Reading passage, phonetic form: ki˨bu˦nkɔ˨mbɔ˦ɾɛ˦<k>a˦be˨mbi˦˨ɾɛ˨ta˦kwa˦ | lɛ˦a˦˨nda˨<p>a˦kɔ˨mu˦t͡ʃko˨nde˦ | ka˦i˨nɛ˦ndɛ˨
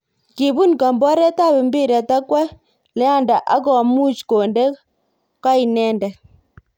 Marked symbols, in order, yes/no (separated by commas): no, no